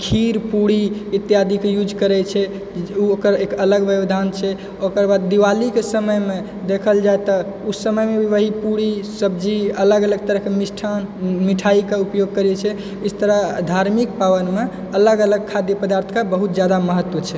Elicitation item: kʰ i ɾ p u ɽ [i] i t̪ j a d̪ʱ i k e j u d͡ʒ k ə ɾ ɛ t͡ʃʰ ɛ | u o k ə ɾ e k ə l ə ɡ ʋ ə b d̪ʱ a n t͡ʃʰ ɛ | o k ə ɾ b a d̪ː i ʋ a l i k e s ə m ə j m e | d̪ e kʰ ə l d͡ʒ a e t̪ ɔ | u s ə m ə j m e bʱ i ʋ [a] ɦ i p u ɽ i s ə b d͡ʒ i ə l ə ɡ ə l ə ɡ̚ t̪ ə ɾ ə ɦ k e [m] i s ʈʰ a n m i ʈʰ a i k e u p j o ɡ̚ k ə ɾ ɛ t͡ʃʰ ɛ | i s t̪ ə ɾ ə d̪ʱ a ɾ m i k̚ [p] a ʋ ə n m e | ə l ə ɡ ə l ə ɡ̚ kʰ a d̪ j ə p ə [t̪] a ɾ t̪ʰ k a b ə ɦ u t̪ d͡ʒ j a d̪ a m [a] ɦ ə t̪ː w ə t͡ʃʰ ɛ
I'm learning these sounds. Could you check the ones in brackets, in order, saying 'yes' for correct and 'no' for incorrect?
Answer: yes, no, yes, yes, no, no

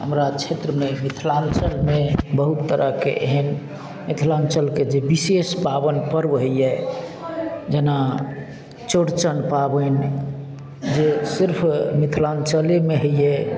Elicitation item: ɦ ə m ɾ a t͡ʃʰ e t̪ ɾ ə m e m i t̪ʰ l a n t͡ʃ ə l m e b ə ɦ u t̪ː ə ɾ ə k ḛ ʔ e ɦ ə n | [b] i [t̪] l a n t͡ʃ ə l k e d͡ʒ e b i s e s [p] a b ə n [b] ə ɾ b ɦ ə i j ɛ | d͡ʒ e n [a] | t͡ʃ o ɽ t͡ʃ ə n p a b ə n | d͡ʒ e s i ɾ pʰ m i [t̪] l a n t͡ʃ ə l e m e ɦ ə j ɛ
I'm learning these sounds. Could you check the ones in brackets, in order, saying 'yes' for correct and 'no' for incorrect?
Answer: no, no, yes, no, yes, no

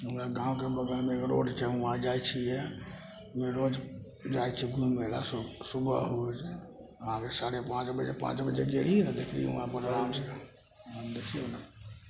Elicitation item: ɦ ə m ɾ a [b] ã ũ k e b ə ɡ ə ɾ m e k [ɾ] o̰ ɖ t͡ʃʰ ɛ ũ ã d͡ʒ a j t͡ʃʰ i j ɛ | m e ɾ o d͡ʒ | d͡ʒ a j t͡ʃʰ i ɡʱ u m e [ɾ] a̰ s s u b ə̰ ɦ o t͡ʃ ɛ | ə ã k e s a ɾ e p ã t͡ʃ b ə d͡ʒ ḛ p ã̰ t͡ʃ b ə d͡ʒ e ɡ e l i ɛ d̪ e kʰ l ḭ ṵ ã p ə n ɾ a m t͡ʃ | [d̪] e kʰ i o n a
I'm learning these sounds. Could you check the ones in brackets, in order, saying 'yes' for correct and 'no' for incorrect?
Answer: no, yes, no, yes

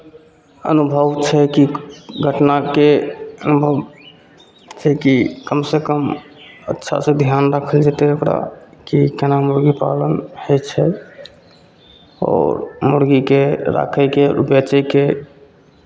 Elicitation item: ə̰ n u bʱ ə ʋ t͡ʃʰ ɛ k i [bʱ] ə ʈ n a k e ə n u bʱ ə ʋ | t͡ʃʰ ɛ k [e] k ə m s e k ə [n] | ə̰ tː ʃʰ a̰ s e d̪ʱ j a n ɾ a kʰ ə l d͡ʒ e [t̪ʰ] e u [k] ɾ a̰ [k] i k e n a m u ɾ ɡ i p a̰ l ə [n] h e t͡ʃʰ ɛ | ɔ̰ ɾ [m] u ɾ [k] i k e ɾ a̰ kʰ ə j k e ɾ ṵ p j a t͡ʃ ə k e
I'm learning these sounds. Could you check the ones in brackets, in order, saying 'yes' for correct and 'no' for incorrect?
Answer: no, no, no, no, yes, yes, yes, yes, no

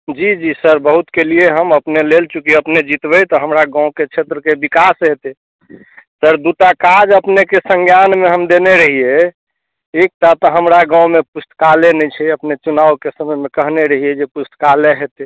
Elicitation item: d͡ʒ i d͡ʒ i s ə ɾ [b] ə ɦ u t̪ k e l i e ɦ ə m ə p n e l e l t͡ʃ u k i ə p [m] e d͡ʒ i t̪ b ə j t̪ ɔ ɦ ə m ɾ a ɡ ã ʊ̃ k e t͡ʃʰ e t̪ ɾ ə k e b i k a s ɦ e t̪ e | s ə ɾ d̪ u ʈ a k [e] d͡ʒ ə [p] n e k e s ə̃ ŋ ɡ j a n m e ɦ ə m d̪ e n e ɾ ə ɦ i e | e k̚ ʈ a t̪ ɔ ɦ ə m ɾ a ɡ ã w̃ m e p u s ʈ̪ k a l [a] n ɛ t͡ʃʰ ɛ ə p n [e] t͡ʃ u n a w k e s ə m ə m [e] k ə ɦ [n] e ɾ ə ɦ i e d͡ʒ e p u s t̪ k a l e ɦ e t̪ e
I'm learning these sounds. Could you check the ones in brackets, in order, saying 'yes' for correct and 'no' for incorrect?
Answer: yes, no, no, yes, no, yes, yes, yes

